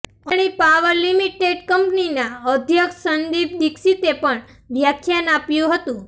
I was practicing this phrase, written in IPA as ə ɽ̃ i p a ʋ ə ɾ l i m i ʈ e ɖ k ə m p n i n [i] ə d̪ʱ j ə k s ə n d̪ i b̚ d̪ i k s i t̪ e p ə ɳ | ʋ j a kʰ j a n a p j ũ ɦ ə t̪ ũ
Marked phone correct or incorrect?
incorrect